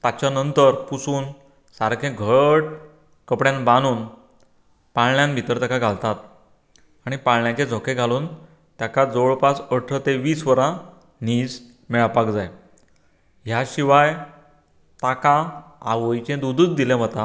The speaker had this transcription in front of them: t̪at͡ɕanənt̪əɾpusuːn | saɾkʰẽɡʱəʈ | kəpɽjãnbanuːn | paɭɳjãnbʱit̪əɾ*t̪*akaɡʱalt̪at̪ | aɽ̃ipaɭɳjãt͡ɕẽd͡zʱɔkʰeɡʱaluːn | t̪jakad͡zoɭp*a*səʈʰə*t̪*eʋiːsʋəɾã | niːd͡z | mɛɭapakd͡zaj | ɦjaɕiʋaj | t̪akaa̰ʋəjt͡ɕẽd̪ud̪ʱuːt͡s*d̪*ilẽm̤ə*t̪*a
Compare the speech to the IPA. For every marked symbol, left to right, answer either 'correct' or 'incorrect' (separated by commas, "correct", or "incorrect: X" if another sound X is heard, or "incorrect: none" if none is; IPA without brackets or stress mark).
correct, correct, correct, correct, correct